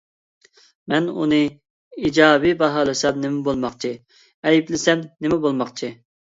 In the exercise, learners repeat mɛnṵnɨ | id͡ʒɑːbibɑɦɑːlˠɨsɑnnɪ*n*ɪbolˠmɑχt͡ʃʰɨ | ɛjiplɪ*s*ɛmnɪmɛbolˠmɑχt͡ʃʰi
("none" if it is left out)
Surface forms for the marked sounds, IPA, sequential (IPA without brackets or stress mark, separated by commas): m, s